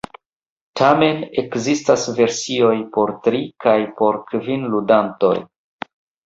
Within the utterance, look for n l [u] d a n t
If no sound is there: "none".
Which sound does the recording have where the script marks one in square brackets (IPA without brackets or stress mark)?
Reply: u